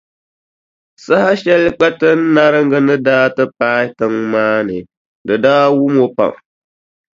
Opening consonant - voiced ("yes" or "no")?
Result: no